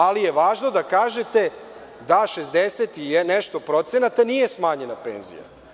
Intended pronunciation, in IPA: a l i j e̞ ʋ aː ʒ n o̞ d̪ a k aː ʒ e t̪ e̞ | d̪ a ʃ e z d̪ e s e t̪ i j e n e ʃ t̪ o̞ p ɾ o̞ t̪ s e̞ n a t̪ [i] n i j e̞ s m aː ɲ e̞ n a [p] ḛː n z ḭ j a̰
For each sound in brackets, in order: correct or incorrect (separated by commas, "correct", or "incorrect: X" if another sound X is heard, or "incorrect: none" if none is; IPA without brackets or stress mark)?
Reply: incorrect: a, correct